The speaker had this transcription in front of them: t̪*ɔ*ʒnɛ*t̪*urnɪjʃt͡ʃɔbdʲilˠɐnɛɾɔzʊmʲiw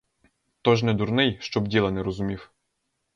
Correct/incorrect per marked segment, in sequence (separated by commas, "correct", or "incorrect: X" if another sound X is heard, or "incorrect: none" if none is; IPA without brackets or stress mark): correct, incorrect: d̪